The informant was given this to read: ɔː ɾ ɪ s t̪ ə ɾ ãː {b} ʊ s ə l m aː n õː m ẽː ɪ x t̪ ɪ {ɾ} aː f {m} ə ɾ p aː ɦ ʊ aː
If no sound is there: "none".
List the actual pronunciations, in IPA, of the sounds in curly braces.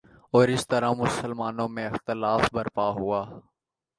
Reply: m, l, b

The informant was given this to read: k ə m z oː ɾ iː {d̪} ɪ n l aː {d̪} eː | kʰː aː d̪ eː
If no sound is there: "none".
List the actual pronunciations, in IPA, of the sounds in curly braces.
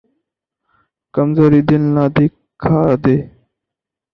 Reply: d̪, d̪

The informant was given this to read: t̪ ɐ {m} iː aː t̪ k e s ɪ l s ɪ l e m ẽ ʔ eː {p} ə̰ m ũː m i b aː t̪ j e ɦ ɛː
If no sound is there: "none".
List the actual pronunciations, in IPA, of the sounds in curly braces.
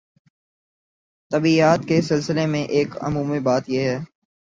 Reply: b, k

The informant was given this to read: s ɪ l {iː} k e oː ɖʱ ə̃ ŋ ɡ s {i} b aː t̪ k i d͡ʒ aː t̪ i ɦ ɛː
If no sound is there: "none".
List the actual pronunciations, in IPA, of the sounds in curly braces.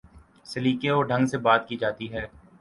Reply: iː, e

